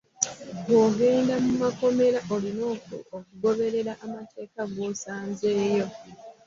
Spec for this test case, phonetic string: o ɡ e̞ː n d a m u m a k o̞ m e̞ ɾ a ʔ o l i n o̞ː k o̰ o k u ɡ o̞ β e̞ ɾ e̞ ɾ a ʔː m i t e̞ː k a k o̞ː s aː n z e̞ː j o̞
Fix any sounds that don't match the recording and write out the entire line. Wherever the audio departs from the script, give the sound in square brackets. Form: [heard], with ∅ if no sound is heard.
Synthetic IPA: o ɡ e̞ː n d a m u m a k o̞ m e̞ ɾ a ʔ o l i n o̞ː k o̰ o k u ɡ o̞ β e̞ ɾ e̞ ɾ a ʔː m [a] t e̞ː k a [ɡ] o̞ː s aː n z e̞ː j o̞